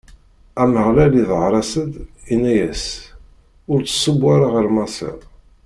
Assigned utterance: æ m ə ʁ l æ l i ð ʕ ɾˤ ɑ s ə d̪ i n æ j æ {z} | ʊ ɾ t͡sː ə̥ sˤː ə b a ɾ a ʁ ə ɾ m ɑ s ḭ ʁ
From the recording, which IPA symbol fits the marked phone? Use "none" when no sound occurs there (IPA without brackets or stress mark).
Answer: s